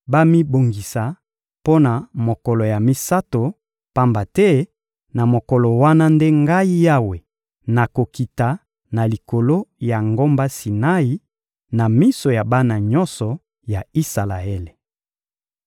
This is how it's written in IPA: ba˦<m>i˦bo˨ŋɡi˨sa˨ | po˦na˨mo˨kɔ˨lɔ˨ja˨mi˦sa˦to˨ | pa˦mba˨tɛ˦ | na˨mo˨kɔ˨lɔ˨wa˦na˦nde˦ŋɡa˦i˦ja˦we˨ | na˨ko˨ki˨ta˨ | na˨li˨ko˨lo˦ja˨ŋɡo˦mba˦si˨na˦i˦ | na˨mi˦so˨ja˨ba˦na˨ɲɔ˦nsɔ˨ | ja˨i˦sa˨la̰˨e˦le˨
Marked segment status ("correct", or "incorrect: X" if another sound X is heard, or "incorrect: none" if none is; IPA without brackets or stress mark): correct